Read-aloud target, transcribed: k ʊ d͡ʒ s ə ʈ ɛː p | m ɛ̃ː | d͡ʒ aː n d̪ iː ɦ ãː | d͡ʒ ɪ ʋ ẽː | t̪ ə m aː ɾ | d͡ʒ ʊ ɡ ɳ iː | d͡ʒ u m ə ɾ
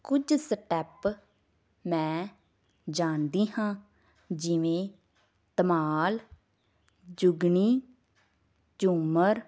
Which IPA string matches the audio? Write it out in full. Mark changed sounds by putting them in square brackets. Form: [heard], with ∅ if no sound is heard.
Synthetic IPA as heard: k ʊ d͡ʒ s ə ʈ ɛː p | m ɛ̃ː | d͡ʒ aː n d̪ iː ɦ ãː | d͡ʒ ɪ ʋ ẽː | t̪ ə m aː [l] | d͡ʒ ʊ ɡ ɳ iː | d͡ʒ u m ə ɾ